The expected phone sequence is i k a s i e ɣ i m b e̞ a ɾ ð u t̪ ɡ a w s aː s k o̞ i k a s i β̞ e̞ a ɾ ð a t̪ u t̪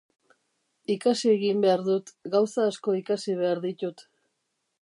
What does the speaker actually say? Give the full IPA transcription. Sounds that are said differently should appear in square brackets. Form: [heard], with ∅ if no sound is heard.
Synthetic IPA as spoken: i k a s i e ɣ i m b e̞ a ɾ ð u t̪ ɡ a w s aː s k o̞ i k a s i β̞ e̞ a ɾ ð [i] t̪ u t̪